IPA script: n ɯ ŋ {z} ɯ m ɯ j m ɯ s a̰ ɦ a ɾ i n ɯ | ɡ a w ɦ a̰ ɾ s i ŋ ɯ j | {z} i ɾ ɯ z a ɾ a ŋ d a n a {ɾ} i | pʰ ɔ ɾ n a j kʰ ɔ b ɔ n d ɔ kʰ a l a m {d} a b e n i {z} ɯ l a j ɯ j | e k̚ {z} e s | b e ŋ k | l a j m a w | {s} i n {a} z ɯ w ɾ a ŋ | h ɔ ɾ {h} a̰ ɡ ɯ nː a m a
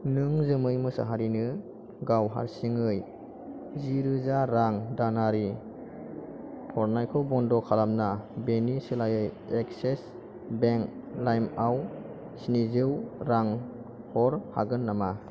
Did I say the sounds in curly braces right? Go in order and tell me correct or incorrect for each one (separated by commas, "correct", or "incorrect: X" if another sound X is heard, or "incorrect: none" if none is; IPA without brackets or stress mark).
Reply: correct, correct, correct, incorrect: n, incorrect: s, incorrect: s, correct, incorrect: i, correct